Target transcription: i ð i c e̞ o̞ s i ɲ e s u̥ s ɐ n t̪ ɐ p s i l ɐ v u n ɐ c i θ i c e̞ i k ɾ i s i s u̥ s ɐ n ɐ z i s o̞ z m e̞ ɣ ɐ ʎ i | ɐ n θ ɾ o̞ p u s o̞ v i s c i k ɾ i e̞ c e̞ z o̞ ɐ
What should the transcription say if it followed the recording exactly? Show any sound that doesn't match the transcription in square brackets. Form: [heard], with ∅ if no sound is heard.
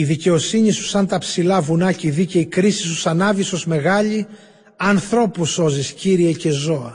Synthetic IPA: i ð i c e̞ o̞ s i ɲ [i] s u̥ s ɐ n t̪ ɐ p s i l ɐ v u n ɐ c i [ð] i c e̞ i k ɾ i s i s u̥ s ɐ n ɐ [v] i s o̞ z m e̞ ɣ ɐ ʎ i | ɐ n θ ɾ o̞ p u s o̞ [z] i s c i [∅] ɾ i e̞ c e̞ z o̞ ɐ